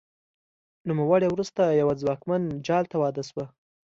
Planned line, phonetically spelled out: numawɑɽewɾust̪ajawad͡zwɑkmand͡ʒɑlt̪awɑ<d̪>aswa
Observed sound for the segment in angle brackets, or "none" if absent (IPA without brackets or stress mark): d̪